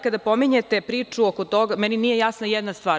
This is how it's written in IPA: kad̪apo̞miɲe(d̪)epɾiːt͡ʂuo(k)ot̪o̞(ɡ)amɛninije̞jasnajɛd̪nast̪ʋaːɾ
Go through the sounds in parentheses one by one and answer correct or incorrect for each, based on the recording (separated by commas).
incorrect, correct, correct